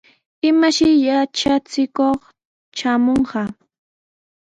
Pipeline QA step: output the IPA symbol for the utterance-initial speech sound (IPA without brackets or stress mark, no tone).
ɪ